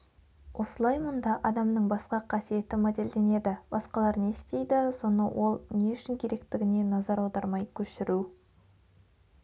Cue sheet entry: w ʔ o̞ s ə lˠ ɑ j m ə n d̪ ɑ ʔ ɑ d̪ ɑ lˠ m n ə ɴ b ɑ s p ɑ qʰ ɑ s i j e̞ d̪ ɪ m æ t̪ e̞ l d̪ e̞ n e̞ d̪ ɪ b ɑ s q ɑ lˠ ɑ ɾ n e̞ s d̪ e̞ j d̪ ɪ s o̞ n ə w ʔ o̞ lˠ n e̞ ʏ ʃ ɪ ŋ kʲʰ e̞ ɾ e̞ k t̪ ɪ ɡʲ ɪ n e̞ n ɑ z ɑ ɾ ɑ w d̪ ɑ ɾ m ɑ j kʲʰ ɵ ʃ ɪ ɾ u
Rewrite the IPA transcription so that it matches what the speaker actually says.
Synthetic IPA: w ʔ o̞ s ə lˠ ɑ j m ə n d̪ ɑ ʔ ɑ d̪ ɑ m n ə ɴ b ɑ s q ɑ qʰ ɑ s i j e̞ t̪ ɪ m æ d̪ e̞ l d̪ e̞ n e̞ d̪ ɪ b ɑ s q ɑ lˠ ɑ ɾ n e̞ s t̪ e̞ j d̪ ɪ s o̞ n ə w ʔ o̞ lˠ n e̞ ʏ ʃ ɪ ŋ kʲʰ e̞ ɾ e̞ k t̪ ɪ ɡʲ ɪ n e̞ n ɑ z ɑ ɾ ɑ w d̪ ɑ ɾ m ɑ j kʲʰ ɵ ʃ ɪ ɾ u